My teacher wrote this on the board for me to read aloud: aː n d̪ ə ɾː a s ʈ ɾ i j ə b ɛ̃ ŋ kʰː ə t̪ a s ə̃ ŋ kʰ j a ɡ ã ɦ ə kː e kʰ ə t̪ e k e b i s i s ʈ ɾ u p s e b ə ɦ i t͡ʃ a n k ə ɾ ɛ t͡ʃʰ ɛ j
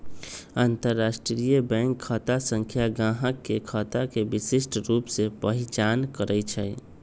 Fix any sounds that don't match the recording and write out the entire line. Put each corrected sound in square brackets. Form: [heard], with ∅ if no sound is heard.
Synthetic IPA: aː n [t̪] ə ɾː a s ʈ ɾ i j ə b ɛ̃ ŋ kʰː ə t̪ a s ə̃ ŋ kʰ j a ɡ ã ɦ ə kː e kʰ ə t̪ [a] k e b i s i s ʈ ɾ u p s e [p] ə ɦ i t͡ʃ a n k ə ɾ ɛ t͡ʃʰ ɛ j